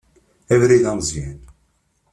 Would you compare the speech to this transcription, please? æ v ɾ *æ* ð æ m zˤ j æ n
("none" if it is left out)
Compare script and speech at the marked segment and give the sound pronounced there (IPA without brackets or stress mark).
i